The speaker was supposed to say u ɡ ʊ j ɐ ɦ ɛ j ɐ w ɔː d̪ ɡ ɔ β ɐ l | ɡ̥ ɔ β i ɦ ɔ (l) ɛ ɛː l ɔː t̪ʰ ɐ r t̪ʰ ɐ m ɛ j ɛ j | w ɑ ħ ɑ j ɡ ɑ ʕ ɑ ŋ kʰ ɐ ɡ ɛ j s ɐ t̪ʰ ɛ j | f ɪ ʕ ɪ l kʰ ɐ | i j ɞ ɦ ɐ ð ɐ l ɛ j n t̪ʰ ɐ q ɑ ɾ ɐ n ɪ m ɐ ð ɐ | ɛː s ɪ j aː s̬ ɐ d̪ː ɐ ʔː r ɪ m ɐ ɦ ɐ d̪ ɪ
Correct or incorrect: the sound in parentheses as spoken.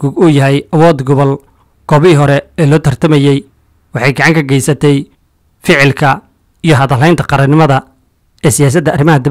incorrect: ɾ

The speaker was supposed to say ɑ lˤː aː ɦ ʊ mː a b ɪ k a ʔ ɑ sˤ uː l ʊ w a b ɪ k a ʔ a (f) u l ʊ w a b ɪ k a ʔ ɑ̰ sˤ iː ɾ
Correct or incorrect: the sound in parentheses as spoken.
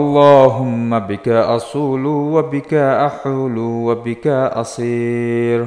incorrect: ħ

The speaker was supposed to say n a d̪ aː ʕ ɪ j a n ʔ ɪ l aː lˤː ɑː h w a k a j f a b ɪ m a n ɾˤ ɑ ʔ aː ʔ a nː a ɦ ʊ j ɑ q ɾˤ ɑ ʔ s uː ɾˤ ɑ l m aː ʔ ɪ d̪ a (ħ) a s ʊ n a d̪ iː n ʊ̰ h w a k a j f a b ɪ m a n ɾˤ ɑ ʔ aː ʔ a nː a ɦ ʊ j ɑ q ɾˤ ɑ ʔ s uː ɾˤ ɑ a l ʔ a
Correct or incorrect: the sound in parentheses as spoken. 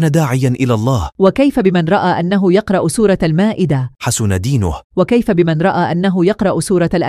correct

